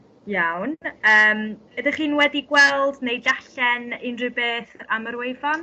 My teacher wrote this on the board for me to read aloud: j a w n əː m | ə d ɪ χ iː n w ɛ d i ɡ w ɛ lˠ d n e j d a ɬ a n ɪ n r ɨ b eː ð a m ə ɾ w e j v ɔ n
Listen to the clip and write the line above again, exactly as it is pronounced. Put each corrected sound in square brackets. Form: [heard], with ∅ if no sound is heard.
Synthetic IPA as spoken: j a w n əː m | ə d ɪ χ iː n w ɛ d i ɡ w ɛ lˠ d n e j d a ɬ [ɛ] n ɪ n r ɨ b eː [θ] a m ə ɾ w e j v ɔ n